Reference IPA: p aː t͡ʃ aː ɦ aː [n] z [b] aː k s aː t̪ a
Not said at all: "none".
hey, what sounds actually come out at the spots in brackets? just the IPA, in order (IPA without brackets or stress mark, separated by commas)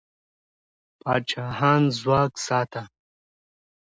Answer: n, w